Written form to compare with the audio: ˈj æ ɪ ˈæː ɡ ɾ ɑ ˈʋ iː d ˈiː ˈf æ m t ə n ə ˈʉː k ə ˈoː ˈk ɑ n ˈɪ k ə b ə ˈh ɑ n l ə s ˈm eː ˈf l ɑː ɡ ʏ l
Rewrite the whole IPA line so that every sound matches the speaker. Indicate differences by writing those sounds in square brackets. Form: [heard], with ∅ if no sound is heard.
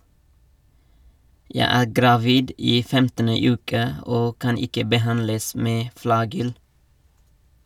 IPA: ˈj æ ɪ ˈæː ɡ ɾ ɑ ˈʋ iː d ˈiː ˈf [ɛ] m t ə n ə ˈʉː k ə ˈoː ˈk ɑ n ˈɪ k ə b ə ˈh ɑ n l ə s ˈm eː ˈf l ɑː ɡ ʏ l